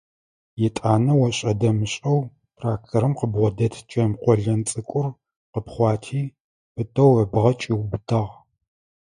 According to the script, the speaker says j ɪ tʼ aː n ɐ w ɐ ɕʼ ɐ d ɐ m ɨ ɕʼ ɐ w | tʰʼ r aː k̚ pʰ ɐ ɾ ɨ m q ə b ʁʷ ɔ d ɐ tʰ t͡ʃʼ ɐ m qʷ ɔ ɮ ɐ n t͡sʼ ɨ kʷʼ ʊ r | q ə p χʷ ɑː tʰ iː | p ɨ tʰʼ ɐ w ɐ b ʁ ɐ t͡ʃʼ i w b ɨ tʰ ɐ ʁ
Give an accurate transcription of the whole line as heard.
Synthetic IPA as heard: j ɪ tʼ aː n ɐ w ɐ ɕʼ ɐ d ɐ m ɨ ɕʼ ɐ w | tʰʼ r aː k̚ tʰ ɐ ɾ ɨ m q ə b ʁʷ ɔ d ɐ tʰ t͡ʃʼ ɐ m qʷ ɔ ɮ ɐ n t͡sʼ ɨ kʷʼ ʊ r | q ə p χʷ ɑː tʰ iː | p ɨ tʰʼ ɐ w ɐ b ʁ ɐ t͡ʃʼ i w b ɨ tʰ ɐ ʁ